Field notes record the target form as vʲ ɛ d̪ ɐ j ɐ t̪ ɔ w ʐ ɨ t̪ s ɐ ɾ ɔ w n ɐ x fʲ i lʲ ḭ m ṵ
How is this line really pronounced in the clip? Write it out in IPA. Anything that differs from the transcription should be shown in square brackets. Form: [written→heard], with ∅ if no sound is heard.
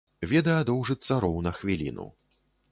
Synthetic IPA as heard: vʲ ɛ d̪ ɐ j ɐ [t̪→d̪] ɔ w ʐ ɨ t̪ s ɐ ɾ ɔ w n ɐ x [fʲ→vʲ] i lʲ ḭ [m→n] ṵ